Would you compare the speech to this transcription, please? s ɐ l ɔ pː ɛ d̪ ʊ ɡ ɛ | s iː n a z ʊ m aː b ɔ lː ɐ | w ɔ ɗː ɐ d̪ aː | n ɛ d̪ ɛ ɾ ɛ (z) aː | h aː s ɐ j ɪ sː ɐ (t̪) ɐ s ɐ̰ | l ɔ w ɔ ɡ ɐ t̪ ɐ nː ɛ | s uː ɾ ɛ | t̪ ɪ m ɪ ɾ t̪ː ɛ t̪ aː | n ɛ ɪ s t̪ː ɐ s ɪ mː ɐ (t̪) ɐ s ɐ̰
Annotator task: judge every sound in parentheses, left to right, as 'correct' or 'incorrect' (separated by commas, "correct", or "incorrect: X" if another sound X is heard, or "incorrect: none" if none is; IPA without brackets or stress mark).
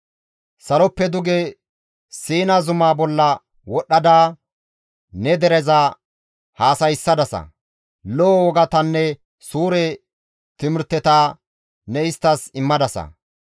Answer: correct, incorrect: d̪, incorrect: d̪